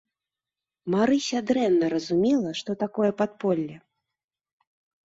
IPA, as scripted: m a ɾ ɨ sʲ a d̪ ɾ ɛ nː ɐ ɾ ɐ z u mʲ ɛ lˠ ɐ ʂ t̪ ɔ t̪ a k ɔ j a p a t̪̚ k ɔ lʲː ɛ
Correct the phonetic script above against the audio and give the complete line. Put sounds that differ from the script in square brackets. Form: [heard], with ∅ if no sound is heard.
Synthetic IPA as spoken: m a ɾ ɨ sʲ a d̪ ɾ ɛ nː ɐ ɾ ɐ z u mʲ ɛ lˠ ɐ ʂ t̪ ɔ t̪ a k ɔ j [ɛ] p a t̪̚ [p] ɔ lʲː ɛ